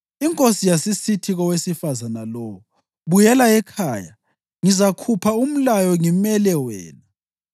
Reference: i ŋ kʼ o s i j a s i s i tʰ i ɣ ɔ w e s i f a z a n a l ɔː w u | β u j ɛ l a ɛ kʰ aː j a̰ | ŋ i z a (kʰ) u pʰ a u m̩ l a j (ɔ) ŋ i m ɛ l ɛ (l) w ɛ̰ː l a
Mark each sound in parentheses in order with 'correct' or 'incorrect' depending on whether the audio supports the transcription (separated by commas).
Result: correct, correct, incorrect